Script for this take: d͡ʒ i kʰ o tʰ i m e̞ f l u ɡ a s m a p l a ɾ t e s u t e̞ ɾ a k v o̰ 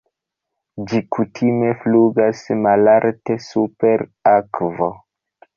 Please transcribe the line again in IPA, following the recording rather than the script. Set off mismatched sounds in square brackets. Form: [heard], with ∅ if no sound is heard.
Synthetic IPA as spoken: d͡ʒ i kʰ [u] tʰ i m e̞ f l u ɡ a s m a [∅] l a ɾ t e s u [p] e̞ ɾ a k v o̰